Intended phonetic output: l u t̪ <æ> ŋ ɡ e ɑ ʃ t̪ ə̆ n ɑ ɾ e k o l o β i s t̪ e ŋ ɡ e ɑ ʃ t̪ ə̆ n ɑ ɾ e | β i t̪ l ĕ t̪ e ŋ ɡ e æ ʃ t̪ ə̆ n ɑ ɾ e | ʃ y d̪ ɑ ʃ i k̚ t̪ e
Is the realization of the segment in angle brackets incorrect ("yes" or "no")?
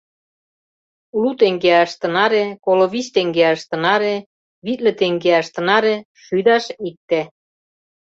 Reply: yes